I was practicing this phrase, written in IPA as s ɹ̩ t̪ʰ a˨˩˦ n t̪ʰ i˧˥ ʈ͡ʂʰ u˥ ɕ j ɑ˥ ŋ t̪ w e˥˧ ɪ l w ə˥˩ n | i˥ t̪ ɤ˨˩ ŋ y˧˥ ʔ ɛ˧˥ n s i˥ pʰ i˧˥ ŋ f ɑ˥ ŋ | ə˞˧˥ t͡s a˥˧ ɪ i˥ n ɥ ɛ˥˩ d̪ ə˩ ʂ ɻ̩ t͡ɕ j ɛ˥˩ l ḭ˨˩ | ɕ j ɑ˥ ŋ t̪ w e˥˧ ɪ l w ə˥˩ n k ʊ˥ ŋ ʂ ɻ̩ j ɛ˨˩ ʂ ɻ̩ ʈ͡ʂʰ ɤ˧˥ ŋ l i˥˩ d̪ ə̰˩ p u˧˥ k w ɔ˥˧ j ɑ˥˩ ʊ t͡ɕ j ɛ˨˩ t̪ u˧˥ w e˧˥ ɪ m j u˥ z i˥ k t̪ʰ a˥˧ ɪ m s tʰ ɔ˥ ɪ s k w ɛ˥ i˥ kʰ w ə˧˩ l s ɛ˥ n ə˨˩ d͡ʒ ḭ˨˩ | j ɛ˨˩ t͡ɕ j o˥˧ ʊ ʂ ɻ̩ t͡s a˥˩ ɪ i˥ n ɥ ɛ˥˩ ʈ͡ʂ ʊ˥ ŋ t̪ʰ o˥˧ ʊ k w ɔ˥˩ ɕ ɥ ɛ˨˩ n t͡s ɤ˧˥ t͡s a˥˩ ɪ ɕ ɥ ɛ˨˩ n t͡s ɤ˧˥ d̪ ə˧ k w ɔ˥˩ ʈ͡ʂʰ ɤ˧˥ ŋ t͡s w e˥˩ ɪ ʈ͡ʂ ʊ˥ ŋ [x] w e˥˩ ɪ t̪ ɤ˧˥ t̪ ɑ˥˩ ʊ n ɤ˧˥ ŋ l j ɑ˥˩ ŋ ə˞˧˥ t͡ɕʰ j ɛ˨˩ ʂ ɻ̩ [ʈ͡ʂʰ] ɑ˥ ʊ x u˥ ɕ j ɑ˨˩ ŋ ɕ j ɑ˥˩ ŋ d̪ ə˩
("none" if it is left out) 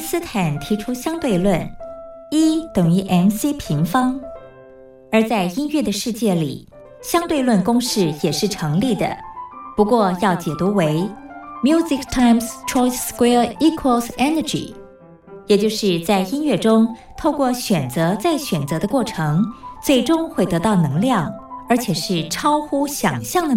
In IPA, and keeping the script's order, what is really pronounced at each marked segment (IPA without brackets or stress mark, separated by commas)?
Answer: x, ʈ͡ʂʰ